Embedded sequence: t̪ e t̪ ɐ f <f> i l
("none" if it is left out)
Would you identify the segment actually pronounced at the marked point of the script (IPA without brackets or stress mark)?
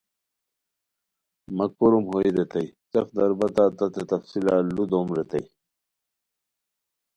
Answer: s